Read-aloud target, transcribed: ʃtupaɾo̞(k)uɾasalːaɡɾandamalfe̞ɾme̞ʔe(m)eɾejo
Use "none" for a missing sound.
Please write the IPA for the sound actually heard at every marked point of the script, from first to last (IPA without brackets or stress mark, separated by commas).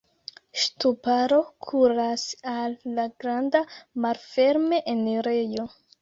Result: kʰ, n